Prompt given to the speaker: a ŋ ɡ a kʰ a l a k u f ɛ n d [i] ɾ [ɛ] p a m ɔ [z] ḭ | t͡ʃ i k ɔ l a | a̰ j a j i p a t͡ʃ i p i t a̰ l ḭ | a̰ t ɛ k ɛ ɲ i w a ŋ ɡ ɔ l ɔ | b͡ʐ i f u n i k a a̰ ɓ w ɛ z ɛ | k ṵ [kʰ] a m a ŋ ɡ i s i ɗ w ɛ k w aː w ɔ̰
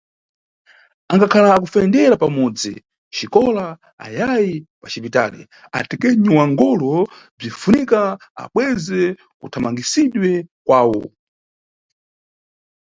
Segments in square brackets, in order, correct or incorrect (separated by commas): incorrect, incorrect, incorrect, incorrect